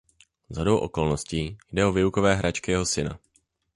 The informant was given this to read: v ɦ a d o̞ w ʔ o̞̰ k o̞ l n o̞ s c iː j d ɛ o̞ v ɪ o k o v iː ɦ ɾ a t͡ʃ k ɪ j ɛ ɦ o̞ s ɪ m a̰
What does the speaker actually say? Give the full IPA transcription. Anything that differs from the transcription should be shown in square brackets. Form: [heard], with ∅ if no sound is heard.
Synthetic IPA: [z] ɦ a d o̞ w ʔ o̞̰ k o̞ l n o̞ s c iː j d ɛ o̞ v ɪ [u] k o v [ɛː] ɦ ɾ a t͡ʃ k ɪ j ɛ ɦ o̞ s ɪ [n] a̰